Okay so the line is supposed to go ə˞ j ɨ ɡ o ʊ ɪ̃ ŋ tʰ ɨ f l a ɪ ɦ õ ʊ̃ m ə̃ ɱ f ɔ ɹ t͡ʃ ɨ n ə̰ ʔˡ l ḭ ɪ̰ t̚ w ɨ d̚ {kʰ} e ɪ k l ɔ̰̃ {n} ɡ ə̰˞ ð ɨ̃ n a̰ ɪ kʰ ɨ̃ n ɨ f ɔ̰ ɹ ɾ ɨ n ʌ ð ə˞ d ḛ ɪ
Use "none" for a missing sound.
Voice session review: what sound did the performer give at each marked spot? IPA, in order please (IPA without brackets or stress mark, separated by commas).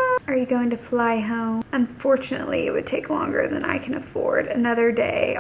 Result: tʰ, ŋ